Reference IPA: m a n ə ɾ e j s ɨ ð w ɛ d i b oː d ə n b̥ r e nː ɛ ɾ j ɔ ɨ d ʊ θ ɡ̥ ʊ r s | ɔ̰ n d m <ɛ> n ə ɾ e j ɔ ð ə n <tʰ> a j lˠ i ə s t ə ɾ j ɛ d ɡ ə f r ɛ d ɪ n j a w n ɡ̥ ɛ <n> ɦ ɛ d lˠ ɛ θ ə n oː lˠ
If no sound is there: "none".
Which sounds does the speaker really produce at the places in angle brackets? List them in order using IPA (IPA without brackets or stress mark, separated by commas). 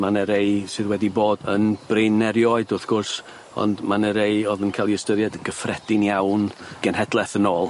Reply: a, kʰ, n